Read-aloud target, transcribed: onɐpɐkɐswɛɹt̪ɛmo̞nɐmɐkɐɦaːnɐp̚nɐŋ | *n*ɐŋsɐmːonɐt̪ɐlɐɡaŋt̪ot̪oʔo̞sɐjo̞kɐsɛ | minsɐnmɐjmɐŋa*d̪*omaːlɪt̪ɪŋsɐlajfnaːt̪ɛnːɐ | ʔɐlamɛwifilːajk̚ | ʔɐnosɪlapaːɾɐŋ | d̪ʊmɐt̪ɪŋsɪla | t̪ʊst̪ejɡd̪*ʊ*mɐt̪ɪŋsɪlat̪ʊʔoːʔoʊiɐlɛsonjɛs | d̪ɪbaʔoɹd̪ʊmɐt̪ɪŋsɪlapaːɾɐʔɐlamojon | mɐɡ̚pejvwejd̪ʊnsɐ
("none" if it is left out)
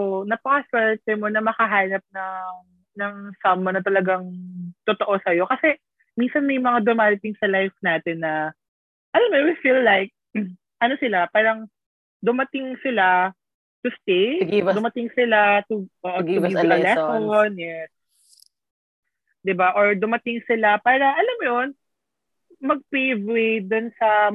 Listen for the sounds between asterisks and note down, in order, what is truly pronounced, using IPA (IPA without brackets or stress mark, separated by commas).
n, d̪, ʊ